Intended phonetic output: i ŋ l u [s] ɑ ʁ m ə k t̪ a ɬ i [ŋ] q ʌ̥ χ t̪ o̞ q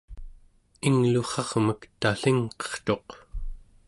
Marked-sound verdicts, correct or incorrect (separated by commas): incorrect, correct